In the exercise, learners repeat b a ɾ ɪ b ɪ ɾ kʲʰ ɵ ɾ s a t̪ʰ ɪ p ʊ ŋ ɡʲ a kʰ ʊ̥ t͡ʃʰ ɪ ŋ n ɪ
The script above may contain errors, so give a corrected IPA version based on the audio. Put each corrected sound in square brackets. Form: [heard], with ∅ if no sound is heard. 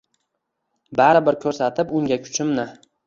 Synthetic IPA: b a ɾ ɪ b ɪ ɾ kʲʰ ɵ ɾ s a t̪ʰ ɪ p ʊ ŋ ɡʲ a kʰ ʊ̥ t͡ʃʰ ɪ [m] n ɪ